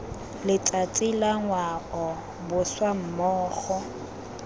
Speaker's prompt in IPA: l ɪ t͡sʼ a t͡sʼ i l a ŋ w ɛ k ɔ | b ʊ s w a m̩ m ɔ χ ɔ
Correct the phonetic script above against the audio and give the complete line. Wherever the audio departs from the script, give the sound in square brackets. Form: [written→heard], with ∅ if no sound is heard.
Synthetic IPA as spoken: l ɪ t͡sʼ a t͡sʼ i l a ŋ w [ɛ→a] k ɔ | b ʊ s w a m̩ m [ɔ→ɔː] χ ɔ